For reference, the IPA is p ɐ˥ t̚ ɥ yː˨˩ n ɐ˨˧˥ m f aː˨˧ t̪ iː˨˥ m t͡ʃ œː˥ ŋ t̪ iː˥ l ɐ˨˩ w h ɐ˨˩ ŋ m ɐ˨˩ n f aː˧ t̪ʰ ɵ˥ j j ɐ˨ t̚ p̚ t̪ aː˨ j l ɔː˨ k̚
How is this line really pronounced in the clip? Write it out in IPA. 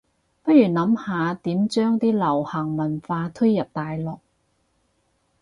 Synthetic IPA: p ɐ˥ t̚ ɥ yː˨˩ n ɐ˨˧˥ m h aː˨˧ t̪ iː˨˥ m t͡ʃ œː˥ ŋ t̪ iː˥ l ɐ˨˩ w h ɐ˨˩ ŋ m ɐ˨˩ n f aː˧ t̪ʰ ɵ˥ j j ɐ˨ p̚ t̪ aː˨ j l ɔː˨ k̚

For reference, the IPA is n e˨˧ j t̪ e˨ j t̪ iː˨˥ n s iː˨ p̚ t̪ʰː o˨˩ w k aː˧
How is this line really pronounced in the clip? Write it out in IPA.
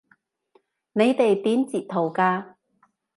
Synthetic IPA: n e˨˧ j t̪ e˨ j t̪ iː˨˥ n t͡s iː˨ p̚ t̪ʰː o˨˩ w k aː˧

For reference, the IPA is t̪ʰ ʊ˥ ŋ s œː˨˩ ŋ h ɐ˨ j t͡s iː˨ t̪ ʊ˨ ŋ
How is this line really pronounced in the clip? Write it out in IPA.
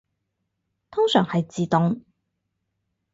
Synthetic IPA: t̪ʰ ʊ˥ ŋ s œː˨˩ ŋ h ɐ˨ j t͡s iː˨ t̪ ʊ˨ ŋ

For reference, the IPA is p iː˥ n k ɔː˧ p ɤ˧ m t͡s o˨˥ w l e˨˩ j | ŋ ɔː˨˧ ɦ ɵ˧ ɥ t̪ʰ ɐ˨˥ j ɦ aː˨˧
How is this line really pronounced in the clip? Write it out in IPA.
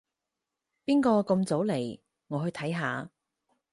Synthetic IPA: p iː˥ n k ɔː˧ k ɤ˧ m t͡s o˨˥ w l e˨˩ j | ŋ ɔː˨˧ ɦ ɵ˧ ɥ t̪ʰ ɐ˨˥ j ɦ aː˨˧

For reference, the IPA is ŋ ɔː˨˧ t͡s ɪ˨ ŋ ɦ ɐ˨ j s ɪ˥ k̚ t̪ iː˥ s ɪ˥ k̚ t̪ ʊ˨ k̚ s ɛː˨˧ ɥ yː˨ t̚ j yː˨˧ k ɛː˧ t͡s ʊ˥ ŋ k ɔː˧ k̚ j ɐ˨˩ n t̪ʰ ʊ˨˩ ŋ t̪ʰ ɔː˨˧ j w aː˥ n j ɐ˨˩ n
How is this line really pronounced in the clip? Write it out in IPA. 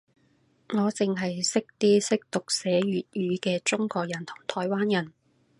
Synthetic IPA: ŋ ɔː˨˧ t͡s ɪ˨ ŋ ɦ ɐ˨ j s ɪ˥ k̚ t̪ iː˥ s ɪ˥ k̚ t̪ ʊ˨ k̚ s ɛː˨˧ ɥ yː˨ t̚ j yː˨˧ k ɛː˧ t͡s ʊ˥ ŋ k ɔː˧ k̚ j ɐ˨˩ n t̪ʰ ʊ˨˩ ŋ t̪ʰ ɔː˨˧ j w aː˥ n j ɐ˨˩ n

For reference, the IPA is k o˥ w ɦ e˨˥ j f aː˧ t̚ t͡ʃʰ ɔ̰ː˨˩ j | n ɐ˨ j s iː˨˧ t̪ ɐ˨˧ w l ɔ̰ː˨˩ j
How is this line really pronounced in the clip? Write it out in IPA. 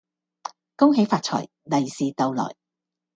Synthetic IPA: k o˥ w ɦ e˨˥ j f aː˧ t̚ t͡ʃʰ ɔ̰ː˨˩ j | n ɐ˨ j s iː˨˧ t̪ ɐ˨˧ w l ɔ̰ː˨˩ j

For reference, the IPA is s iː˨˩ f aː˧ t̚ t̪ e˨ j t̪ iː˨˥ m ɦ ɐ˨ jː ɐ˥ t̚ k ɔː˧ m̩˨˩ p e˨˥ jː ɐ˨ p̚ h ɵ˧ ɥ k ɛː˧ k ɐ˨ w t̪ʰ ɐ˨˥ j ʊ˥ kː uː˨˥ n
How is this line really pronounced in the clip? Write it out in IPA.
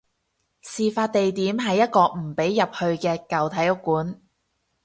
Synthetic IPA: s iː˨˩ f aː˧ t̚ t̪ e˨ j t̪ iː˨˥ m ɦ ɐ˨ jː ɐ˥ t̚ k ɔː˧ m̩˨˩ p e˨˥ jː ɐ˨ p̚ h ɵ˧ ɥ k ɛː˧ k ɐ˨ w t̪ʰ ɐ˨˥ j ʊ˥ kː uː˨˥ n

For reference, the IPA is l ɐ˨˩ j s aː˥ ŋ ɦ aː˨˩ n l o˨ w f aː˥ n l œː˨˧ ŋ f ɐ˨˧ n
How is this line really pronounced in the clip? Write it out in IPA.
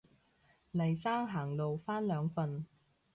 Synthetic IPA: l ɐ˨˩ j s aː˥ ŋ ɦ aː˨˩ ŋ l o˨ w f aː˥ n l œː˨˧ ŋ f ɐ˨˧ n

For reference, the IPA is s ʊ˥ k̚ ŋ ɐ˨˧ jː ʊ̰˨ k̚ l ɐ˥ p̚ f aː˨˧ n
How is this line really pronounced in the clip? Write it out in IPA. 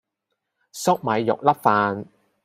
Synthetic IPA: s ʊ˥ k̚ m ɐ˨˧ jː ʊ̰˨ k̚ l ɐ˥ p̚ f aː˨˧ n

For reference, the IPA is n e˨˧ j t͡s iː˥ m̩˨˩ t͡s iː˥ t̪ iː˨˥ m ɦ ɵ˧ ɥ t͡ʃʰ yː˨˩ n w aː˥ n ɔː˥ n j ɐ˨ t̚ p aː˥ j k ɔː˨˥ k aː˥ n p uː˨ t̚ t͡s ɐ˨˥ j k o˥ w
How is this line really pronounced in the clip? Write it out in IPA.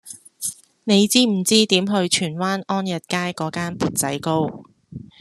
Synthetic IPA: n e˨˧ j t͡s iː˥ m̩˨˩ t͡s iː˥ t̪ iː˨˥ m ɦ ɵ˧ ɥ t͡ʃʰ yː˨˩ n w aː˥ n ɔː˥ n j ɐ˨ t̚ k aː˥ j k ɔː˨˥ k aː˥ n p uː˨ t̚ t͡s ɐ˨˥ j k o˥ w

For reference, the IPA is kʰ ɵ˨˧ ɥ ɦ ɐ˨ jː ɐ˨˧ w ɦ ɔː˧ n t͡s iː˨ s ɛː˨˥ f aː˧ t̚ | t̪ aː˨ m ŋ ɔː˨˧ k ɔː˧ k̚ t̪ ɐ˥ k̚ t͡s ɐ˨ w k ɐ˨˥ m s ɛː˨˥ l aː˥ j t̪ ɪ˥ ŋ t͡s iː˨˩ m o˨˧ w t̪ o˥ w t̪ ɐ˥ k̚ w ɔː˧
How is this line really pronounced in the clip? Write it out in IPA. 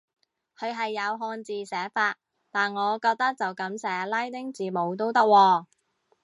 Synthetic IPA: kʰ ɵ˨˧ ɥ ɦ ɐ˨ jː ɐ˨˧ w ɦ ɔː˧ n t͡s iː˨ s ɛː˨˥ f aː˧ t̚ | t̪ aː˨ n ŋ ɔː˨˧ k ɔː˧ k̚ t̪ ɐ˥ k̚ t͡s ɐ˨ w k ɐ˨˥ m s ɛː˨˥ l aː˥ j t̪ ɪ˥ ŋ t͡s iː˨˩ m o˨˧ w t̪ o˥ w t̪ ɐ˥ k̚ w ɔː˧

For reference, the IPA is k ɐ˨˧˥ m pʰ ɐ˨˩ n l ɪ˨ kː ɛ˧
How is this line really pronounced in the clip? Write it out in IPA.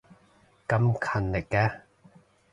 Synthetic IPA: k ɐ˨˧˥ m kʰ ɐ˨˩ n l ɪ˨ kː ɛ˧

